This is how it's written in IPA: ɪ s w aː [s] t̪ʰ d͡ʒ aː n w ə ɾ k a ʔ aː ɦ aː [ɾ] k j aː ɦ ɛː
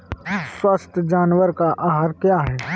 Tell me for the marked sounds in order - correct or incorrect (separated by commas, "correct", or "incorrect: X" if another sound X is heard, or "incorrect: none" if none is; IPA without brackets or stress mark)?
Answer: correct, correct